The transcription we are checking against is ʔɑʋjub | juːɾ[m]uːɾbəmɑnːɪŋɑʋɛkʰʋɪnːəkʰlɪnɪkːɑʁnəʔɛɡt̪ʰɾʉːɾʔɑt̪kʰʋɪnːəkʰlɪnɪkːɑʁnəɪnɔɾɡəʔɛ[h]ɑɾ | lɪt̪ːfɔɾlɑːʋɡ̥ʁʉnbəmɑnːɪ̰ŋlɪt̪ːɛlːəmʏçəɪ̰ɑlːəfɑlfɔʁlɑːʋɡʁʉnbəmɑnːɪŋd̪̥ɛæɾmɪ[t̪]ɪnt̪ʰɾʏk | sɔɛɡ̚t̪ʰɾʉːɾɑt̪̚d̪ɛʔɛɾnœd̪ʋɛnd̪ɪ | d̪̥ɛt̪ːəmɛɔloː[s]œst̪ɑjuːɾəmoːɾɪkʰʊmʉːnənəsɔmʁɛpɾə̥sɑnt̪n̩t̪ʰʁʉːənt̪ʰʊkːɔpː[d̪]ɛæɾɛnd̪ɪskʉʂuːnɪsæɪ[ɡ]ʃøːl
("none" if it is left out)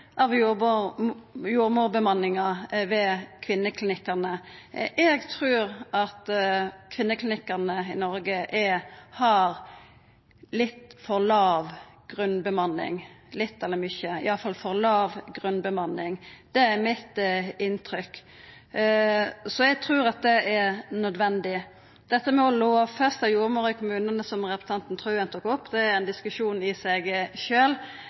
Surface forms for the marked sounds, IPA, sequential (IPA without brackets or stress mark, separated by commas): m, h, t̪, f, d̪, ɡ